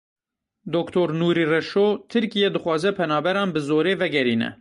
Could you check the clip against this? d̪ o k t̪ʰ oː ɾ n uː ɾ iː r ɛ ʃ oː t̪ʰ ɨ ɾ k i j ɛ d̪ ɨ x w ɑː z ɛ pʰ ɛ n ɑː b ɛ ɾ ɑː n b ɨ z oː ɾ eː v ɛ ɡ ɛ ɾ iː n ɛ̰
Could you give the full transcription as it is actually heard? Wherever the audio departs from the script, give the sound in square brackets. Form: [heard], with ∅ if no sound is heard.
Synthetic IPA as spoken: d̪ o k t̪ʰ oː ɾ n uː ɾ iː r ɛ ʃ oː t̪ʰ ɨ ɾ k i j ɛ d̪ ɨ x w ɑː z ɛ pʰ ɛ n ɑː b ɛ ɾ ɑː n b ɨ z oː ɾ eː v ɛ ɡ ɛ ɾ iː n ɛ̰